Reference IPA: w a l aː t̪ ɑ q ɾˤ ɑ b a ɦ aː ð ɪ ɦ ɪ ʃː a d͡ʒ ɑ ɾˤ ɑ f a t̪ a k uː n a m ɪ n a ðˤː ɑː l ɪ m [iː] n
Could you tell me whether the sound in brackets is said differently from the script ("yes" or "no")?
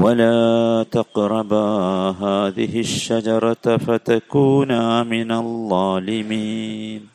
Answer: no